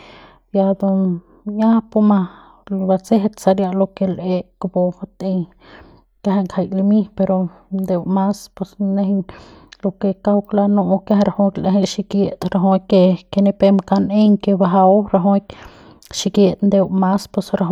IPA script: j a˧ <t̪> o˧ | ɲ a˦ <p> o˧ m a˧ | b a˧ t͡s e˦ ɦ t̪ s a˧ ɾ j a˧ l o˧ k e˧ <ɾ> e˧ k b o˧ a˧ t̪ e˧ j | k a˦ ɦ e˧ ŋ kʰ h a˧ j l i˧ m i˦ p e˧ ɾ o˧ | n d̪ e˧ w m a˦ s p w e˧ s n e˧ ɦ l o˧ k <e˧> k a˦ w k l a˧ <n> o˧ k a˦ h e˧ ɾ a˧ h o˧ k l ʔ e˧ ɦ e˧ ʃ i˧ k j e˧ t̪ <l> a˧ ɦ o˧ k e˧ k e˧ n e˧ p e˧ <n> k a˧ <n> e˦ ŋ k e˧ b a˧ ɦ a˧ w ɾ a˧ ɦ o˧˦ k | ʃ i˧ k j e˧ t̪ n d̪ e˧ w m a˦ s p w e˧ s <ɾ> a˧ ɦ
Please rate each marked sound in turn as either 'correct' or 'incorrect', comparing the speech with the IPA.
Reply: incorrect, correct, incorrect, correct, correct, incorrect, incorrect, correct, correct

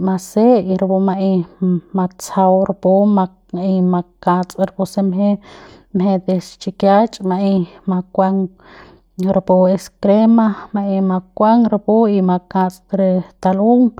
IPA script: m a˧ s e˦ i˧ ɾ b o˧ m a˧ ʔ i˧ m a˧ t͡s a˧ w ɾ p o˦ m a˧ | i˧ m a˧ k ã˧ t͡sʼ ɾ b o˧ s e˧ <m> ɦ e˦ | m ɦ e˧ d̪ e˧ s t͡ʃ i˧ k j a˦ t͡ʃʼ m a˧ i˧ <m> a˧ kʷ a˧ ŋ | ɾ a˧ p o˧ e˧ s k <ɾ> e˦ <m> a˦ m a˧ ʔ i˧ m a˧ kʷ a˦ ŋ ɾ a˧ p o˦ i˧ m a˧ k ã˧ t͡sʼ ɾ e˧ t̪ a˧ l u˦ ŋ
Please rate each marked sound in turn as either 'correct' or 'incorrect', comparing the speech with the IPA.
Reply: correct, correct, correct, correct

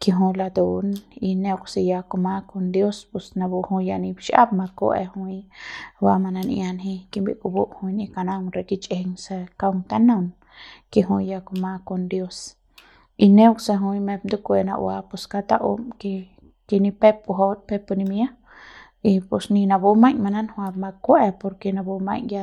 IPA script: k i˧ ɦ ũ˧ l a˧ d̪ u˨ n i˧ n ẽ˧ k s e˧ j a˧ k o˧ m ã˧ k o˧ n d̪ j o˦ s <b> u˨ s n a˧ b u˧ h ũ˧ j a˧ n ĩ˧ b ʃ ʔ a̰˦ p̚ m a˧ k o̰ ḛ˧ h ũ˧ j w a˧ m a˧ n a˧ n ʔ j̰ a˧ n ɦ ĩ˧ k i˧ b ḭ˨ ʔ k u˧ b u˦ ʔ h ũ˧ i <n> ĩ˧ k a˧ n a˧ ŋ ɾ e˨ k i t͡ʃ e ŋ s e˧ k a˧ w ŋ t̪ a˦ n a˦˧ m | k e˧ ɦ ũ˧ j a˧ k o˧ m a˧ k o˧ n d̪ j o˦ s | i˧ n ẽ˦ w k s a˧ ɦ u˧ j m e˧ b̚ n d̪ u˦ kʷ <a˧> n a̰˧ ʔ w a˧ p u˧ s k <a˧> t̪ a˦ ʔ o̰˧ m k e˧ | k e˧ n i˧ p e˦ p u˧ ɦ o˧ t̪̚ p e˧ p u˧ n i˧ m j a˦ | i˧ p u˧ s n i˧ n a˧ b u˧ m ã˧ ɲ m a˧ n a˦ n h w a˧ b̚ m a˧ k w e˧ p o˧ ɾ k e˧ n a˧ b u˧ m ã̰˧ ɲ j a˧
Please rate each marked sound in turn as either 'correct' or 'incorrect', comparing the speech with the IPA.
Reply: incorrect, correct, incorrect, correct

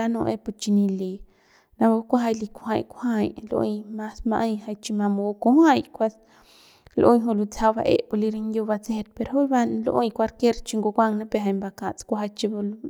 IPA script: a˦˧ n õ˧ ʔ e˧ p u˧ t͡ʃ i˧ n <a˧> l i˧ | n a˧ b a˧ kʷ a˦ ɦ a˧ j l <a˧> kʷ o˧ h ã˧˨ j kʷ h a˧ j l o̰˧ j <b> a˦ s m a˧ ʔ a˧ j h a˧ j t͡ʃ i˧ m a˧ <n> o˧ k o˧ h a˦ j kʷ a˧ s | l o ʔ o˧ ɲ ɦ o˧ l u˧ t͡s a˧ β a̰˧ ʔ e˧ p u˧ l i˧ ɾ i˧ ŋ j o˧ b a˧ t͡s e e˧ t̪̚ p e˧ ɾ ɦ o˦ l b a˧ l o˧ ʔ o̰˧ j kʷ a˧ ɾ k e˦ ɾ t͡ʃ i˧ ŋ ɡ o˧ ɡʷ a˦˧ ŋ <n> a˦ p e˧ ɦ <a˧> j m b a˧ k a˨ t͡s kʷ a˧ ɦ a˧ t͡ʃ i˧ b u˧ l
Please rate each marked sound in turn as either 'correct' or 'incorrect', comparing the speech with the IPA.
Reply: incorrect, incorrect, incorrect, incorrect, correct, correct

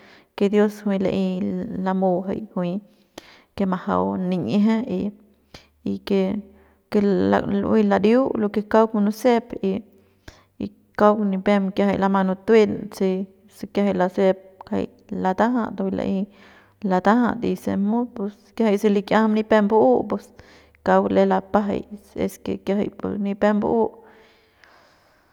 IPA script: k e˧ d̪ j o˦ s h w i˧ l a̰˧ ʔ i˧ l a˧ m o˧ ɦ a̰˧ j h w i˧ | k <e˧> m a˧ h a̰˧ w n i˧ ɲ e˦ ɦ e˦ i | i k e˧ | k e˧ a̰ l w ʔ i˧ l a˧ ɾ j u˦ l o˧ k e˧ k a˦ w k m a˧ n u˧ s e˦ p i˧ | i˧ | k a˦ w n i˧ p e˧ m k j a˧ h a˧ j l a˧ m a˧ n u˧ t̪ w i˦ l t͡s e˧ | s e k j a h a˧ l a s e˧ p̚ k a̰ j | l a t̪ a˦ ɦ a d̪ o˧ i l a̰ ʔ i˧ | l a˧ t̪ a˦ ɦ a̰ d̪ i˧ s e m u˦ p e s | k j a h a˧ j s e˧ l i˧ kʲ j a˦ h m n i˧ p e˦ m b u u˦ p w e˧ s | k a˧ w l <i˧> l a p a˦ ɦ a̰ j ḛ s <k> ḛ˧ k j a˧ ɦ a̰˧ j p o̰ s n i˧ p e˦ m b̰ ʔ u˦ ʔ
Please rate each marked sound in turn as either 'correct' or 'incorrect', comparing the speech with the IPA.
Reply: correct, incorrect, correct

